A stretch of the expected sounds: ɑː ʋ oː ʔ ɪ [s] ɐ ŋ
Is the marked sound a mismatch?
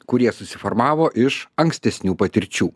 yes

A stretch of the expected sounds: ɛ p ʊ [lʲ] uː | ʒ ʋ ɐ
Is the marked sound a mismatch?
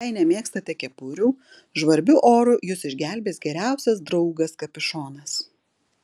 yes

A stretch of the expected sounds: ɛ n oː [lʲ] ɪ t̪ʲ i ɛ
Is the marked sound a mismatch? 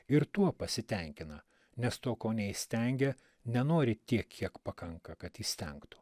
yes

